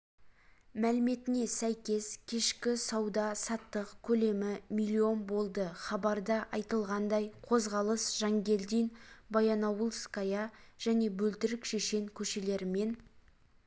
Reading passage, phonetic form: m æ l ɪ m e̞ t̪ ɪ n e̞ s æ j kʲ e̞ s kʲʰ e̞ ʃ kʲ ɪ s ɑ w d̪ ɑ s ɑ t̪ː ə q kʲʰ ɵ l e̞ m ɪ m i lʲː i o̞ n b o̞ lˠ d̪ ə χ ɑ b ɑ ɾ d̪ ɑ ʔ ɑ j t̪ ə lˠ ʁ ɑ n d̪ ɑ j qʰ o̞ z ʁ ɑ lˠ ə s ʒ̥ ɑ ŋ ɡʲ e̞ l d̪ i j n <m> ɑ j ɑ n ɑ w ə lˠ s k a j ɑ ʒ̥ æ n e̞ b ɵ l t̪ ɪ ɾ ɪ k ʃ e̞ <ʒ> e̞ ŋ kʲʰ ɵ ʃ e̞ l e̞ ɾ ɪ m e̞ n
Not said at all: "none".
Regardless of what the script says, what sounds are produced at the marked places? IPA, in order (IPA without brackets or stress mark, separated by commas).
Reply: b, ʃ